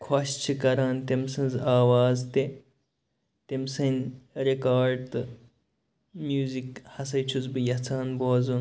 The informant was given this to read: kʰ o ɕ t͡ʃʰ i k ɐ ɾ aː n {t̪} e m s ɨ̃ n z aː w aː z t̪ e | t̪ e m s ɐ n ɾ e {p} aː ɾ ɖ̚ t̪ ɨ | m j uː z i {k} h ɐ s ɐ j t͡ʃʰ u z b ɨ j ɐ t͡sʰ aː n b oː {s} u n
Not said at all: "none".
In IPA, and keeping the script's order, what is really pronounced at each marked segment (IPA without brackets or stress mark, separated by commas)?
t̪, k, k, z